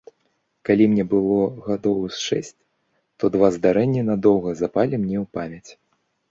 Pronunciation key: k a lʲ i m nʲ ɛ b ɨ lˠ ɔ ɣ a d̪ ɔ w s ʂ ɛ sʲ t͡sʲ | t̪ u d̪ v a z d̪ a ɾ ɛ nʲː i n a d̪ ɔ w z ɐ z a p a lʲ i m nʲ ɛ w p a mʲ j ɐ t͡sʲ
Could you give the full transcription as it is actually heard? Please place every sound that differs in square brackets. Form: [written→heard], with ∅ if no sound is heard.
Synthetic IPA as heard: k a lʲ i m nʲ ɛ b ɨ lˠ ɔ ɣ a d̪ ɔ w s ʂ ɛ sʲ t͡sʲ | t̪ [u→ɔ] d̪ v a z d̪ a ɾ ɛ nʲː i n a d̪ ɔ w [z→ɣ] ɐ z a p a lʲ i m nʲ ɛ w p a mʲ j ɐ t͡sʲ